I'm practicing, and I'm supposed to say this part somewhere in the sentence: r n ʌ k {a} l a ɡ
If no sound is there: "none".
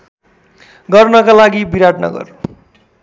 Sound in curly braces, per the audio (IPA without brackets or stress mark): a